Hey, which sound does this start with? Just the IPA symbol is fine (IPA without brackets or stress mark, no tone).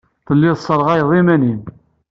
θ